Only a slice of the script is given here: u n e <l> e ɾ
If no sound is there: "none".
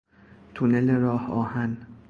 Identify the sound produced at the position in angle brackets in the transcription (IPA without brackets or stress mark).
l